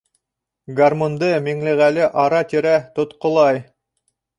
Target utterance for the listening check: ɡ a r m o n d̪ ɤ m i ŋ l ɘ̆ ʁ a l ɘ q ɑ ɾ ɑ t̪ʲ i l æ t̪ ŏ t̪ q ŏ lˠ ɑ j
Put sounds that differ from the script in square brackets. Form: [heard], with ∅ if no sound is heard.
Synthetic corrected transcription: ɡ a r m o n d̪ ɤ m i ŋ l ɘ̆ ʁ [æ] l ɘ [ʔ] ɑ ɾ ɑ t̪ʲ i [ɾ] æ t̪ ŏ t̪ q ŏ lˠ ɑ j

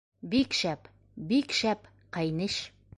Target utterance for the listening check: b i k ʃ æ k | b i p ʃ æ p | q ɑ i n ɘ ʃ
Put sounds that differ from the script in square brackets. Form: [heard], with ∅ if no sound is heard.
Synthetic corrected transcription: b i k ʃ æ [p] | b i [k] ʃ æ p | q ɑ [j] n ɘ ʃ

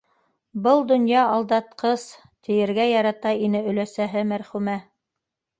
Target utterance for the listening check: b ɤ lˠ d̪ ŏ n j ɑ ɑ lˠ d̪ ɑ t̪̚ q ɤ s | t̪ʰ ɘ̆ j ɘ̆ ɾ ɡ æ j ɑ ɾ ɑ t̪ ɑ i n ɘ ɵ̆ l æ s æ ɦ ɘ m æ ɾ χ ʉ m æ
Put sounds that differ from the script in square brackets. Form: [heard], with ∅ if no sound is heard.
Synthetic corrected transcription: b ɤ lˠ d̪ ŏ n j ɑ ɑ lˠ d̪ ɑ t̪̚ q ɤ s | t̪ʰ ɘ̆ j ɘ̆ ɾ ɡ æ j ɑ ɾ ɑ t̪ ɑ i n ɘ ɵ̆ l æ s æ ɦ ɘ m æ ɾ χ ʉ m æ

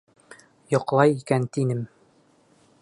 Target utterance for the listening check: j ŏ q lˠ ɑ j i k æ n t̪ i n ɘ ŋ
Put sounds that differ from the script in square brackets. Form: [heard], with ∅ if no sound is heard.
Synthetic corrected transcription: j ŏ q lˠ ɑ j i k æ n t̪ i n ɘ [m]

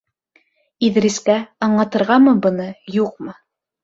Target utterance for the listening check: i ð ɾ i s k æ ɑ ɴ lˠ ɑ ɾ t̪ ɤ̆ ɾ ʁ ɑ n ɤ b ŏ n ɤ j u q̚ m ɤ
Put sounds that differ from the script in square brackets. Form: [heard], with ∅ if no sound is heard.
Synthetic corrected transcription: i ð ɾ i s k æ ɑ ɴ lˠ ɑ [∅] t̪ ɤ̆ ɾ ʁ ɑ [m] ɤ b [ɤ̆] n ɤ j u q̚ m ɤ

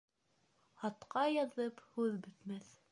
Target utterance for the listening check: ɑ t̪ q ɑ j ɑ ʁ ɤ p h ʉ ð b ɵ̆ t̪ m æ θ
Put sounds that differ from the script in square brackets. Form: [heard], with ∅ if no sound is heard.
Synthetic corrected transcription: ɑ t̪ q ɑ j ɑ [ð] ɤ p h ʉ ð b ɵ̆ t̪ m æ θ

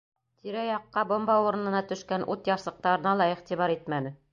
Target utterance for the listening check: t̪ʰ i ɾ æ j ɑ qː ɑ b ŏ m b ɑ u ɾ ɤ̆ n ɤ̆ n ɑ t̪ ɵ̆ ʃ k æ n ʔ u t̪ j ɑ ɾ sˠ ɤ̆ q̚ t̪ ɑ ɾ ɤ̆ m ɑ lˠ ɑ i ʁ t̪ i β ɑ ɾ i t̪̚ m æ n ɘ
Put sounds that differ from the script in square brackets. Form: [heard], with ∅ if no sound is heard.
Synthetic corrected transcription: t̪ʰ i ɾ æ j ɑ qː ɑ b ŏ m b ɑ u ɾ ɤ̆ n ɤ̆ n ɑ t̪ ɵ̆ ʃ k æ n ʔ u t̪ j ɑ ɾ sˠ ɤ̆ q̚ t̪ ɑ ɾ ɤ̆ [n] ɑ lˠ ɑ i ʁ t̪ i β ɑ ɾ i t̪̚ m æ n ɘ

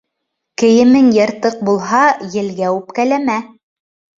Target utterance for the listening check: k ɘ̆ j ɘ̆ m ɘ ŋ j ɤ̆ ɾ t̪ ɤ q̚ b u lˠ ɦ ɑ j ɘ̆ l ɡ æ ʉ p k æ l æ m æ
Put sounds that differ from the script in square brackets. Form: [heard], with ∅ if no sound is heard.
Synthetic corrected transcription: k ɘ̆ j ɘ̆ m ɘ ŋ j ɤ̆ ɾ t̪ ɤ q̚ b u lˠ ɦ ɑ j ɘ̆ l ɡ æ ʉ p k æ l æ m æ

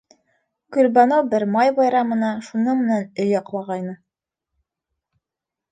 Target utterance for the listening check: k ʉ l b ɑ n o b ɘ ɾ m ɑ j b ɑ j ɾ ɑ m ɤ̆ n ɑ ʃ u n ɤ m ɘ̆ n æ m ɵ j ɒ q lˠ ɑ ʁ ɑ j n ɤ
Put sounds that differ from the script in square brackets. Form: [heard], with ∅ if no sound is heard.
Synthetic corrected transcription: k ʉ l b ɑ n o b ɘ ɾ m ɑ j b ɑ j ɾ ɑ m ɤ̆ n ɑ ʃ u n ɤ m ɘ̆ n æ [n] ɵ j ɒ q lˠ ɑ ʁ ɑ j n ɤ

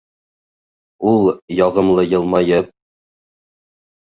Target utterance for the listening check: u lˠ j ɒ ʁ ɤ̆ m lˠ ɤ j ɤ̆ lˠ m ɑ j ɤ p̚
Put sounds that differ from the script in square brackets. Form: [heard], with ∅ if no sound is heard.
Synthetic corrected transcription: u lˠ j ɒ ʁ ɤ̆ m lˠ ɤ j ɤ̆ lˠ m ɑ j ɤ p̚

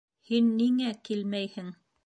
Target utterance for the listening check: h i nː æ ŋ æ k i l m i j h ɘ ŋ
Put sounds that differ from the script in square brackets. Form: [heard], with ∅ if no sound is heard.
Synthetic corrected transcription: h i nː [i] ŋ æ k i l m [æ] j h ɘ ŋ

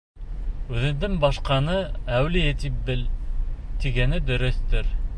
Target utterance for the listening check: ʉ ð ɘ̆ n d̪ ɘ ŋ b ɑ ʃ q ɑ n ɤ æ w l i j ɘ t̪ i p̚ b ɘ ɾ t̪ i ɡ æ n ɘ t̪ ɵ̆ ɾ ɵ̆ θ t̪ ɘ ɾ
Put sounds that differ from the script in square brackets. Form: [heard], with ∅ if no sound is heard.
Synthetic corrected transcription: ʉ ð ɘ̆ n d̪ ɘ ŋ b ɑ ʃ q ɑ n ɤ æ w l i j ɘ t̪ i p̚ b ɘ [l] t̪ i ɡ æ n ɘ [d̪] ɵ̆ ɾ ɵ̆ θ t̪ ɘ ɾ

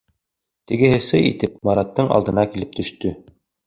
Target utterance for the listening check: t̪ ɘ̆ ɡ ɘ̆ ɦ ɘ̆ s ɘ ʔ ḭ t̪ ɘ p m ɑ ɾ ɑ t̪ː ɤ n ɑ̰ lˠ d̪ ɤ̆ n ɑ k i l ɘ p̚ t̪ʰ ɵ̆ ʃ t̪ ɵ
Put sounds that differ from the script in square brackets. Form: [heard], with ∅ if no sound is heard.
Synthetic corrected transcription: t̪ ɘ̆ ɡ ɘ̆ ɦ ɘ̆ s ɘ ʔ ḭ t̪ ɘ p m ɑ ɾ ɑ t̪ː ɤ [ɴ] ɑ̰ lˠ d̪ ɤ̆ n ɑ k i l ɘ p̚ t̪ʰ ɵ̆ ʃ t̪ ɵ

